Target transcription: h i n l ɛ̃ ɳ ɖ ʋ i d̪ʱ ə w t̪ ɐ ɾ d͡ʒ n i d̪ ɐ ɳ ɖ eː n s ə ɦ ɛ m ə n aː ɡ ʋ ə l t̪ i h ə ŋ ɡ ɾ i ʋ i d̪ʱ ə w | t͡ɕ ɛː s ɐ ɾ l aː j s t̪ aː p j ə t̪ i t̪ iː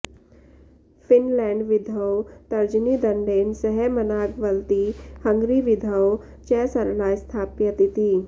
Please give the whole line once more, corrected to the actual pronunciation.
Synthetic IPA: f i n l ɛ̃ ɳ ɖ ʋ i d̪ʱ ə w t̪ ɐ ɾ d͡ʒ n i d̪ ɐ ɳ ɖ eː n s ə ɦ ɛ m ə n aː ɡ ʋ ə l t̪ i h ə ŋ ɡ ɾ i ʋ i d̪ʱ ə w | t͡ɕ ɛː s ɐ ɾ l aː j s t̪ʰ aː p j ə t̪ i t̪ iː

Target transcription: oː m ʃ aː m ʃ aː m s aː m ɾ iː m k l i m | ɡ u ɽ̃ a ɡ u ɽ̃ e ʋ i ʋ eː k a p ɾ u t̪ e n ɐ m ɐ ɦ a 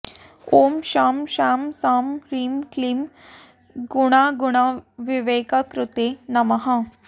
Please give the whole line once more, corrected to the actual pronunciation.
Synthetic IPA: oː m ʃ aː m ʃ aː m s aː m ɾ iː m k l i m | ɡ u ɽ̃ a ɡ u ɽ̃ a ʋ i ʋ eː k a k ɾ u t̪ e n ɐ m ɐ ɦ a

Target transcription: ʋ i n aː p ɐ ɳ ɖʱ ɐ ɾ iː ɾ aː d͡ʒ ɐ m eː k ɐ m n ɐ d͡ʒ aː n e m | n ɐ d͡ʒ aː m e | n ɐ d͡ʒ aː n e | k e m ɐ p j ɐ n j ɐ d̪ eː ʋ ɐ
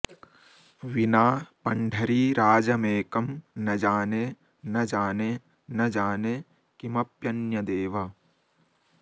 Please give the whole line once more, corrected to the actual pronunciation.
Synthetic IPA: ʋ i n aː p ɐ ɳ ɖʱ ɐ ɾ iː ɾ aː d͡ʒ ɐ m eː k ɐ m n ɐ d͡ʒ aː n e | n ɐ d͡ʒ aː n e | n ɐ d͡ʒ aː n e | k i m ɐ p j ɐ n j ɐ d̪ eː ʋ ɐ

